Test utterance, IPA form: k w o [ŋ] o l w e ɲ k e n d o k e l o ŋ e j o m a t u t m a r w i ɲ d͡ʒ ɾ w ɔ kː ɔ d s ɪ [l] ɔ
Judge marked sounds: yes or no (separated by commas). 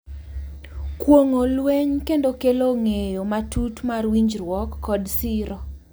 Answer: yes, no